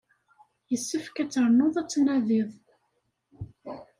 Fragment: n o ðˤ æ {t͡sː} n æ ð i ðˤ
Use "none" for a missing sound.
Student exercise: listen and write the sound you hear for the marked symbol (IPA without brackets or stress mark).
t͡sː